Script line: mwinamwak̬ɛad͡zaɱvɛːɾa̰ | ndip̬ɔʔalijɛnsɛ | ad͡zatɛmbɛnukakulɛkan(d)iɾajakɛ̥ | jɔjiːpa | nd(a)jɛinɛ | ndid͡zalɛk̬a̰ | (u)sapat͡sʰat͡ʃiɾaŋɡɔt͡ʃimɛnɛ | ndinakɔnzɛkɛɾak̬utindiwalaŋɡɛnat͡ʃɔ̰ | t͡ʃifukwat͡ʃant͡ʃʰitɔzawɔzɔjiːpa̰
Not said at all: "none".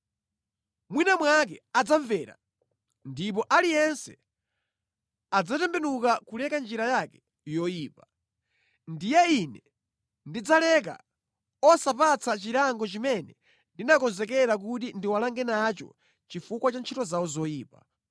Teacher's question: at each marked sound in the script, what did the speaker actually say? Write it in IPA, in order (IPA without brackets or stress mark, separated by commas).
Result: d͡ʒ, i, ɔ